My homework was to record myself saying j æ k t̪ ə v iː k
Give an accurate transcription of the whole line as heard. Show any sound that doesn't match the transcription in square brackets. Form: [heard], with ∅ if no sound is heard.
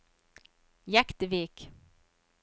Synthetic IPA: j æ k t̪ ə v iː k